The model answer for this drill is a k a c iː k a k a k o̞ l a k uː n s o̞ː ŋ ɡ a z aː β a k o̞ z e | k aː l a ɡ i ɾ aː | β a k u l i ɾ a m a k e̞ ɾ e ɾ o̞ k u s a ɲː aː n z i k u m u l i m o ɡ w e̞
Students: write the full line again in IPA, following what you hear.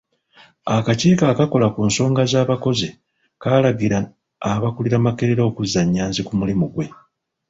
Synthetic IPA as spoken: a k a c iː k a k a k o̞ l a k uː n s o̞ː ŋ ɡ a z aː β a k o̞ z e | k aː l a ɡ i ɾ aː | β a k u l i ɾ a m a k e̞ ɾ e ɾ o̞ k u z a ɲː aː n z i k u m u l i m u ɡ w e̞